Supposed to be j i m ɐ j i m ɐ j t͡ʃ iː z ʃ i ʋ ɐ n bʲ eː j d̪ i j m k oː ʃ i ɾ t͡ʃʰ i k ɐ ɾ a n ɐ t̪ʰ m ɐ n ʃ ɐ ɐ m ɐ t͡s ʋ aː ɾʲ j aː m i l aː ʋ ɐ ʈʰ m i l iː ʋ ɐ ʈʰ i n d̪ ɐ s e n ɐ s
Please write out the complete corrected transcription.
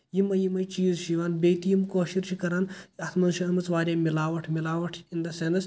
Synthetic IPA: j i m ɐ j i m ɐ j t͡ʃ iː z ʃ i ʋ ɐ n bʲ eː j t̪ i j m k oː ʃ i ɾ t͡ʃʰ i k ɐ ɾ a n ɐ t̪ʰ m ɐ n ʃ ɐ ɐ m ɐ t͡s ʋ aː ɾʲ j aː m i l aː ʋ ɐ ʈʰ m i l aː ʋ ɐ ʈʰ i n d̪ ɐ s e n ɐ s